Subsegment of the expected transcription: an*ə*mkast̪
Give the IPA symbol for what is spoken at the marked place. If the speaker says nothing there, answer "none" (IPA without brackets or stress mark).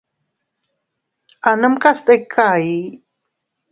ə